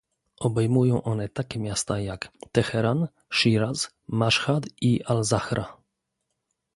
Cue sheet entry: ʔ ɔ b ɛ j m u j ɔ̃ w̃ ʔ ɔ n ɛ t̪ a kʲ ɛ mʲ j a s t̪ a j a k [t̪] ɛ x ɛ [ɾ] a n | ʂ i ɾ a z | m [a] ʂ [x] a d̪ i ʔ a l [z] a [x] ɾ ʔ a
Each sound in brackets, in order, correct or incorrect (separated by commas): correct, correct, correct, correct, correct, correct